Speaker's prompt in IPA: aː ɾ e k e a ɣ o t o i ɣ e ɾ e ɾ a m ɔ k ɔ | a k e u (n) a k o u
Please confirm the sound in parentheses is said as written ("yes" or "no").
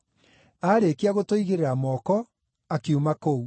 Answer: no